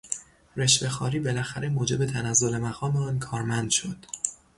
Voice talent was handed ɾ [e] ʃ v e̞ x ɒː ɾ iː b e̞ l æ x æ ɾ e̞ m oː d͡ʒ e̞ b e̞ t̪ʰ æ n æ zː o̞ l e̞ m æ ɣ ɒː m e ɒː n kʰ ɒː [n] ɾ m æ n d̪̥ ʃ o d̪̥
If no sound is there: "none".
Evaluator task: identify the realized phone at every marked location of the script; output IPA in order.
e, none

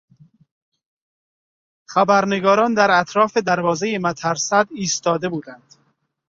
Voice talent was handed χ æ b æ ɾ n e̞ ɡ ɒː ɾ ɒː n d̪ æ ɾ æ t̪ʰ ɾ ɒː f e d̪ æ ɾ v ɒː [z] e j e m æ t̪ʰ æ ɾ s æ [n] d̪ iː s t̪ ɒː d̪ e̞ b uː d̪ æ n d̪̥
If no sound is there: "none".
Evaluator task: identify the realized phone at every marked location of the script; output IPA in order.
z, none

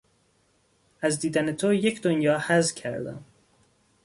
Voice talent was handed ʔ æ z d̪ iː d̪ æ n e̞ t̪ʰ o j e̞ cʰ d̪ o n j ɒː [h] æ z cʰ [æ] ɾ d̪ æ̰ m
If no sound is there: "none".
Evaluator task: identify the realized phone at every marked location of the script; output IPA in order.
h, æ

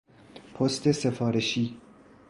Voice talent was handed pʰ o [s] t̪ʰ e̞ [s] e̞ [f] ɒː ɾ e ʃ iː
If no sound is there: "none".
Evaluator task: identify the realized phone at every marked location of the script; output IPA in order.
s, s, f

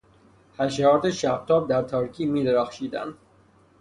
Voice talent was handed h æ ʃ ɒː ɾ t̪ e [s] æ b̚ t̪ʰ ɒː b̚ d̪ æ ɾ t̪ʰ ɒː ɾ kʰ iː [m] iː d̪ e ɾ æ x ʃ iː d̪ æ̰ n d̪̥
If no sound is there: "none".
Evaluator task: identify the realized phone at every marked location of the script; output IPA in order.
ʃ, m

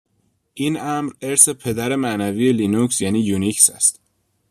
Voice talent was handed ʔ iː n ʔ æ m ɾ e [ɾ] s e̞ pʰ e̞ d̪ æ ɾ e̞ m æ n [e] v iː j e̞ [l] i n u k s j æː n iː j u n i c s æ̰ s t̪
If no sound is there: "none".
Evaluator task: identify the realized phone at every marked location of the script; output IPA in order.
ɾ, æ, l

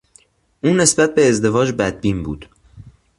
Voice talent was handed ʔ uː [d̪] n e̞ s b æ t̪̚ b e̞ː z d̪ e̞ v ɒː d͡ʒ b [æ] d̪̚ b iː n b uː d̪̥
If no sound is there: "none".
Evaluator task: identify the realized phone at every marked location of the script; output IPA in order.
none, æ

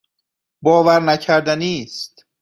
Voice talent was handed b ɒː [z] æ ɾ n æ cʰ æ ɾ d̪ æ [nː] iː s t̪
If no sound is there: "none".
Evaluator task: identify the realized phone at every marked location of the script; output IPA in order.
v, n

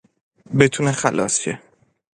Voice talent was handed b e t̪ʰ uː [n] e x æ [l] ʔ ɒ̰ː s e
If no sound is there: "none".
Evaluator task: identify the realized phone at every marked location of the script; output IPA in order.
n, l

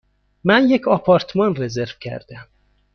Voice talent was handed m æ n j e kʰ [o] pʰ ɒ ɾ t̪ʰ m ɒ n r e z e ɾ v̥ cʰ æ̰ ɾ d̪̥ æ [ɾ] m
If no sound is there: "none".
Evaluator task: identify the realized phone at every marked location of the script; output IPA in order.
ɒ, none

